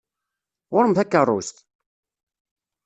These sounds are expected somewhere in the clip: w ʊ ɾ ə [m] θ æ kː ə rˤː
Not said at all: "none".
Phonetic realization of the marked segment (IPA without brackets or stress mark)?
m